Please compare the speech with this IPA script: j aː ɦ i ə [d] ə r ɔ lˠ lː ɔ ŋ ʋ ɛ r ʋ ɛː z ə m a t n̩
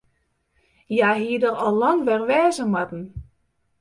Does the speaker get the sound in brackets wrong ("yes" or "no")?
no